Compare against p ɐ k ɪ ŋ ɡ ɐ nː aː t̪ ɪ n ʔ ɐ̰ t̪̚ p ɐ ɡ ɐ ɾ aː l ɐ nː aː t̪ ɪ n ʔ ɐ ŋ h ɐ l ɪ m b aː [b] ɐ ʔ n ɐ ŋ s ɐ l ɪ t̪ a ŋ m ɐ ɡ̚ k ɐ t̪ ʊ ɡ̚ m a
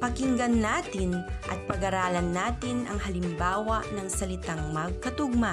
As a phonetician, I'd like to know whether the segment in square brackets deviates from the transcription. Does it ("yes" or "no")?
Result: yes